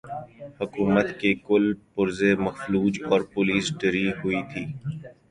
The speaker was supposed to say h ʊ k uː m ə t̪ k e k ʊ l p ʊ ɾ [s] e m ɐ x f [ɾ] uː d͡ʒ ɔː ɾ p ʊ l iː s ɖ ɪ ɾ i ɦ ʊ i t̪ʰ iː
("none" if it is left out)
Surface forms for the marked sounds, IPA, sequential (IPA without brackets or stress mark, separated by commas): z, l